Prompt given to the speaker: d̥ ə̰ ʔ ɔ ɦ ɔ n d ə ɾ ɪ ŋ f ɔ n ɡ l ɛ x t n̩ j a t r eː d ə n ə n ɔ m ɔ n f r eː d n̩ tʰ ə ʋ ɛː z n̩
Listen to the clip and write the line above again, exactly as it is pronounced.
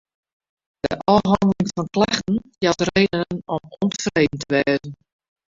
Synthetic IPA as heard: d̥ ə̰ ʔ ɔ ɦ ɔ n d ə l ɪ ŋ f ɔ n k l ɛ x t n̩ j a t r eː d ə n ə n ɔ m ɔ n f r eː d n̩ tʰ ə ʋ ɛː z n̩